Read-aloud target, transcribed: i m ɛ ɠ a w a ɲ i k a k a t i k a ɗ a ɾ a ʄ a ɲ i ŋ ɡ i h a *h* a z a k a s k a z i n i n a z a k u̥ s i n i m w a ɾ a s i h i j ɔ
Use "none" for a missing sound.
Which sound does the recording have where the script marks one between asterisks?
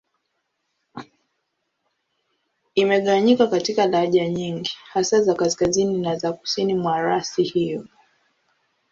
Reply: s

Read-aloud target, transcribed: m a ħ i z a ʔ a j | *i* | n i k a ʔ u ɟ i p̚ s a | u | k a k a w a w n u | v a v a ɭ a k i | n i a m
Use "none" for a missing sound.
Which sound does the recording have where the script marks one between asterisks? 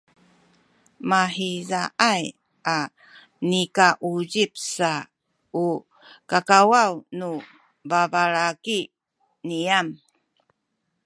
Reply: a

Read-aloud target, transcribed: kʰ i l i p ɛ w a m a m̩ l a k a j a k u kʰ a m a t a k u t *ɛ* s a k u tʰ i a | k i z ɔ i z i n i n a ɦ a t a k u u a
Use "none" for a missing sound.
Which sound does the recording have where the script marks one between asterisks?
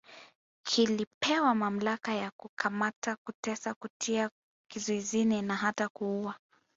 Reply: ɛ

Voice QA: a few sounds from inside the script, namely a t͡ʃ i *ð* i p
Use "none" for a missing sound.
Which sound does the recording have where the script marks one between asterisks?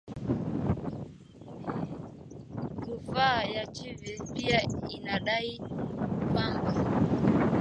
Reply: v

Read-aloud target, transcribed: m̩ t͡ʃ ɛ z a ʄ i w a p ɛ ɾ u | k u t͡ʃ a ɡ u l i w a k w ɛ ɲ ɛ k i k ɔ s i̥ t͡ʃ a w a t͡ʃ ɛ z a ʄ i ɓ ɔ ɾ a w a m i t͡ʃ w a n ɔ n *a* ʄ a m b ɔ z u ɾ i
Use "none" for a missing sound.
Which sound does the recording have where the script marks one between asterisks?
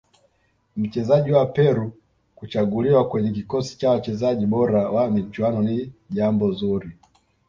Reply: i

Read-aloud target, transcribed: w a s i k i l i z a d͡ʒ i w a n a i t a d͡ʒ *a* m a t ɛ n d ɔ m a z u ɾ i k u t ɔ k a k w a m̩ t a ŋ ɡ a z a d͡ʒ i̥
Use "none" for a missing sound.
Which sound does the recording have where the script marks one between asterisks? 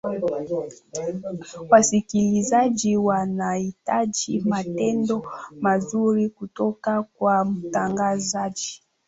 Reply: i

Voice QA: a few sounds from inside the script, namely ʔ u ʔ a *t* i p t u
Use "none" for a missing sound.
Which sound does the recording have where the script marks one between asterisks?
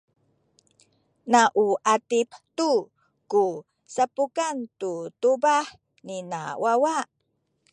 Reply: t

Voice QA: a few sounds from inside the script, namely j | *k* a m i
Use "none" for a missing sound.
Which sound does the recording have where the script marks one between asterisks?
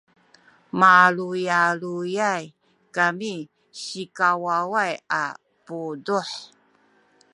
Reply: k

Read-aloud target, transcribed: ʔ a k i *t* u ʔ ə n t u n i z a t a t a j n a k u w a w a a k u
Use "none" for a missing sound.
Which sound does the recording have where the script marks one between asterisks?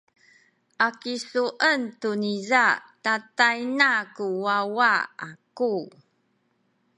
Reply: s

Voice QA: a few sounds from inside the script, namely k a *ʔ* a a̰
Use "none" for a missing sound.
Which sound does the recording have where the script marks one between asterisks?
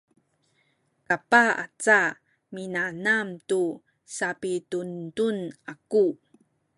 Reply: p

